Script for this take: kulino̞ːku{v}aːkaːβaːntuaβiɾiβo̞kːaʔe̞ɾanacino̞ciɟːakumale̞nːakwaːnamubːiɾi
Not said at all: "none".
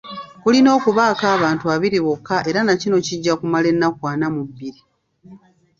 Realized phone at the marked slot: β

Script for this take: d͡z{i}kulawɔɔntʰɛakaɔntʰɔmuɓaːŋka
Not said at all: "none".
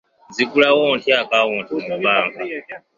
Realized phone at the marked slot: i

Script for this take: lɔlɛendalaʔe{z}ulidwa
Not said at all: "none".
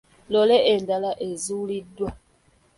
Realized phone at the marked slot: z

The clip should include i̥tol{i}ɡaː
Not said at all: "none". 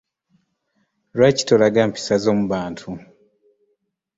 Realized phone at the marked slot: a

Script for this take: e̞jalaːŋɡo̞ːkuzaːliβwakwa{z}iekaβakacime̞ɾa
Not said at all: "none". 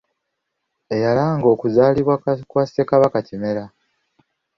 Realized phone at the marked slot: s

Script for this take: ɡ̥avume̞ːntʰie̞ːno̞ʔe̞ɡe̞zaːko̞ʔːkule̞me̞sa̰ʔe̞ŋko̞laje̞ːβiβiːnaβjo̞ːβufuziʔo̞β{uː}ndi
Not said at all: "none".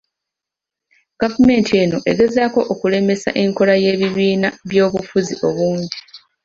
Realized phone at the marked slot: uː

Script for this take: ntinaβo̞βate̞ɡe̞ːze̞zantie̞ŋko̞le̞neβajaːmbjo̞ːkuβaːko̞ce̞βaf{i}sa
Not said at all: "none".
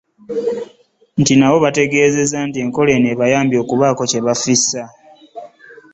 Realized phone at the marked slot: i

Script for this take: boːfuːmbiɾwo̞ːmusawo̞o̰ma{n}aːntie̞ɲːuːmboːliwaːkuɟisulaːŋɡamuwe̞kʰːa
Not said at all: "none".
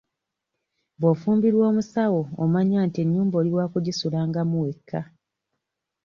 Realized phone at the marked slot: ɲ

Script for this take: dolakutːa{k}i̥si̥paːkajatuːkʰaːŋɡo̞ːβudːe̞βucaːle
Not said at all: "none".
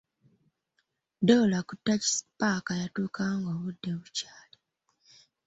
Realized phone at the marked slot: c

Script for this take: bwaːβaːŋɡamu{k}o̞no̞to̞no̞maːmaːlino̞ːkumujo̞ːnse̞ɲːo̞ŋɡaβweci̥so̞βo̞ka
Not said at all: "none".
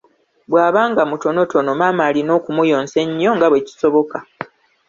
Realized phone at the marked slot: t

